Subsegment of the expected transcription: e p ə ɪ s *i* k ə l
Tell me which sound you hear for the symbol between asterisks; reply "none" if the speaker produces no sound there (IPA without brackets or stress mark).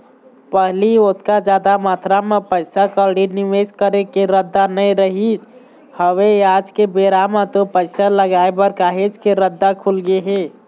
a